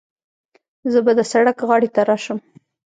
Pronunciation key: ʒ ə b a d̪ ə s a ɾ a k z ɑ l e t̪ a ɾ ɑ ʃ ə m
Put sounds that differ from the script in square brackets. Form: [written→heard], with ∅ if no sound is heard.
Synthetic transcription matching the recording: [ʒ→z] ə b a d̪ ə s a [ɾ→ɽ] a k [z→ɣ] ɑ [l→ɽ] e t̪ a ɾ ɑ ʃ ə m